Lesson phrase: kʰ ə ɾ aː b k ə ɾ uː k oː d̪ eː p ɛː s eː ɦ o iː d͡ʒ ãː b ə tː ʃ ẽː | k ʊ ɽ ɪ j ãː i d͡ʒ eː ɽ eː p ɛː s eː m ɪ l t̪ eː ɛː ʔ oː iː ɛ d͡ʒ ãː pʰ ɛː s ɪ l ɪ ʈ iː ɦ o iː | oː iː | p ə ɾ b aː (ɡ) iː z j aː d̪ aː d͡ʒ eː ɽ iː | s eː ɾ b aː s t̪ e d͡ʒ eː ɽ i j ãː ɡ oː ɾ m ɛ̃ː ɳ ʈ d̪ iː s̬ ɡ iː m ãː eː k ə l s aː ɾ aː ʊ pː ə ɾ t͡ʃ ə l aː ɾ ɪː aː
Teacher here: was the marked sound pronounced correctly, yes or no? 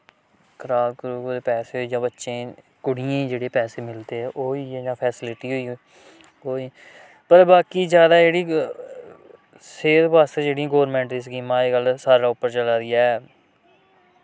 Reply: no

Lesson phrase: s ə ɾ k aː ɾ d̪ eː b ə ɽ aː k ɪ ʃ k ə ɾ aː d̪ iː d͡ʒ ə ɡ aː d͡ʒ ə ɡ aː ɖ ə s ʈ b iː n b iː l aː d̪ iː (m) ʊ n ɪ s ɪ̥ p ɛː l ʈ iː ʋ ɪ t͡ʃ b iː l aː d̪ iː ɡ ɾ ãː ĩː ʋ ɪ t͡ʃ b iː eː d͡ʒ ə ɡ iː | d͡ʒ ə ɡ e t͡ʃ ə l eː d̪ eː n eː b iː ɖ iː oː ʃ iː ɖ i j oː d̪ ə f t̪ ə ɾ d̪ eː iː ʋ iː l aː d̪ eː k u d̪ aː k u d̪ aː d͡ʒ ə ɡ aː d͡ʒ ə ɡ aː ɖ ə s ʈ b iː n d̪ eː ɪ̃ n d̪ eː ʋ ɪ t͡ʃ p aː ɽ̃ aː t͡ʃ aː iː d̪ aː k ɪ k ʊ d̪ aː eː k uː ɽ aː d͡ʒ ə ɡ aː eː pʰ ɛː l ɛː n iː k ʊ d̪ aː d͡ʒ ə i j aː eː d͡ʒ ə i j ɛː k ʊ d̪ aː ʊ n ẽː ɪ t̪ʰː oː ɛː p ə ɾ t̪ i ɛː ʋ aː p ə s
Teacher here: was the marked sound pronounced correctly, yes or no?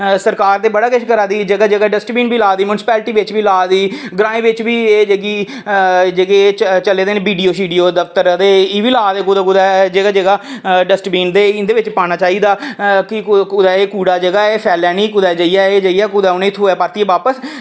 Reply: yes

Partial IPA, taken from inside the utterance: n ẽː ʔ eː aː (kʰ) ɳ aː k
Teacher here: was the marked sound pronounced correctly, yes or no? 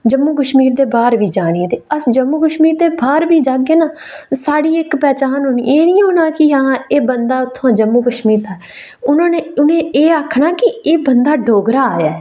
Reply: yes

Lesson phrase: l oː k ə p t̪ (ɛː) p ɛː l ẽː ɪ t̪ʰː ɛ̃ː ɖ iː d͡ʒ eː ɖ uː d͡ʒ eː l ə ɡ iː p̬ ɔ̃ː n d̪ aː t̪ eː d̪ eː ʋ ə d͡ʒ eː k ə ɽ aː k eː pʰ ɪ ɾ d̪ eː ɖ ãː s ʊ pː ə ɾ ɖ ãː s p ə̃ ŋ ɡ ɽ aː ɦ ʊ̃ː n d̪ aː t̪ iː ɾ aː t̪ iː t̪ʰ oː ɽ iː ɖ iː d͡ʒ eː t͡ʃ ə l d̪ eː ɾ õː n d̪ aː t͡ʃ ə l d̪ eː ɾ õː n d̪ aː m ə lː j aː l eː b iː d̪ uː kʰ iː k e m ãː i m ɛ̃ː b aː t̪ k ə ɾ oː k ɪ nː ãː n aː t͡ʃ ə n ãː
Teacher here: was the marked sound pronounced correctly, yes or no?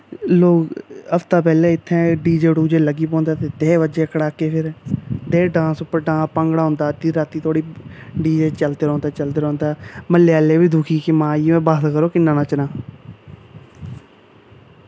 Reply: no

